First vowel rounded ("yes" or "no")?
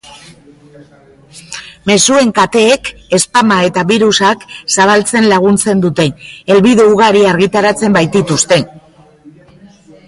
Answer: no